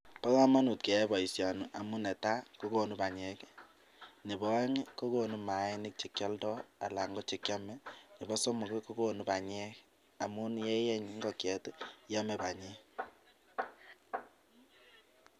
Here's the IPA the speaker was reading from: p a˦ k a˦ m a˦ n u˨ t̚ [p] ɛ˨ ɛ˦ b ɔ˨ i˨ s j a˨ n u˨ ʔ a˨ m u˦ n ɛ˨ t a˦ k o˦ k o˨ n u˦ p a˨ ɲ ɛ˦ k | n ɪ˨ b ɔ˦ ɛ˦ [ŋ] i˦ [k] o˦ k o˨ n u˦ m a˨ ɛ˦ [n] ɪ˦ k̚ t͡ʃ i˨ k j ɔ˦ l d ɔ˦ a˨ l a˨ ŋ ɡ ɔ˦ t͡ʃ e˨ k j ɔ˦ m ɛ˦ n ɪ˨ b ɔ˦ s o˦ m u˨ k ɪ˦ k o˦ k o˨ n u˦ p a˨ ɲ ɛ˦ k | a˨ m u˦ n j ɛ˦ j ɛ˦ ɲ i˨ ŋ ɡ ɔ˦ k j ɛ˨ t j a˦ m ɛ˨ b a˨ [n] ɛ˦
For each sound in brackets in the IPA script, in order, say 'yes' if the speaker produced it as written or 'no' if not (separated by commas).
no, yes, yes, yes, no